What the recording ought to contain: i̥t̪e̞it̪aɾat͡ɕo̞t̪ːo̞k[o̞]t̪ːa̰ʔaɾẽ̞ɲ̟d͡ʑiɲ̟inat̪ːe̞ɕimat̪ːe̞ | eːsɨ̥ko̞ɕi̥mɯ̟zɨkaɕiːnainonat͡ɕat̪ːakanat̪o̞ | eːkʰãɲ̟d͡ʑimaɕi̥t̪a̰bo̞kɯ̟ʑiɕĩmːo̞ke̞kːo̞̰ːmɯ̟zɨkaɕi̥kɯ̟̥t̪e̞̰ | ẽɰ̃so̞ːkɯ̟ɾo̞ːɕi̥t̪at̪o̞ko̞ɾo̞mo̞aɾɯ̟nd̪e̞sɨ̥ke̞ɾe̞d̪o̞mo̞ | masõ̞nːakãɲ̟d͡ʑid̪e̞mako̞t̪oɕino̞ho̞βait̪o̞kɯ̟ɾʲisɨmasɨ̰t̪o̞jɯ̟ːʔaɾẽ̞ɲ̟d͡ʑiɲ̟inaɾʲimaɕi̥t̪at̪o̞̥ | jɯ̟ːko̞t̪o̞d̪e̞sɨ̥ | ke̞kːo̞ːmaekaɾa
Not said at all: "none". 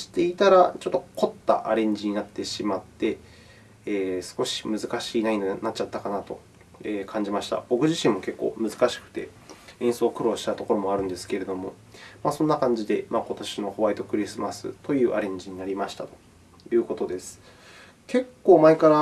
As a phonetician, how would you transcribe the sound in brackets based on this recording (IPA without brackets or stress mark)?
o̞